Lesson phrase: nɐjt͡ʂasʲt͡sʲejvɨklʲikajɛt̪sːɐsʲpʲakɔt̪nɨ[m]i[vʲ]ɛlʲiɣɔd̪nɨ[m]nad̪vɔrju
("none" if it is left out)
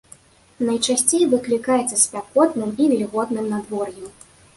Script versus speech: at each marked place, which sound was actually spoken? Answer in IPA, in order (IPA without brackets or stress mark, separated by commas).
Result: m, vʲ, m